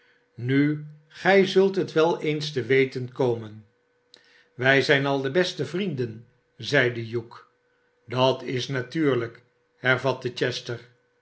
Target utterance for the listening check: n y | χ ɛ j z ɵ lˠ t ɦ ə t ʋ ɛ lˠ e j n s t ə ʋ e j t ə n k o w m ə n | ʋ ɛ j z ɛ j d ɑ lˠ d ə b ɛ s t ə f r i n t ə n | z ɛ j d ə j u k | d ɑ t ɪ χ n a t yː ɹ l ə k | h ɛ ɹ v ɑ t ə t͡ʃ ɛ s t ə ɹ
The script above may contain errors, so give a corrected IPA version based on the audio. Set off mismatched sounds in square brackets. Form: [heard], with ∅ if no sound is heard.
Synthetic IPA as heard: n y | χ ɛ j z ɵ lˠ t ɦ ə t ʋ ɛ lˠ e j n s t ə ʋ e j t ə n k o w m ə n | ʋ ɛ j z ɛ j [n] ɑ lˠ d ə b ɛ s t ə [v] r i n [d] ə n | z ɛ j d ə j u k | d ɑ t ɪ [s] n a t yː ɹ l ə k | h ɛ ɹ v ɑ t ə t͡ʃ ɛ s t ə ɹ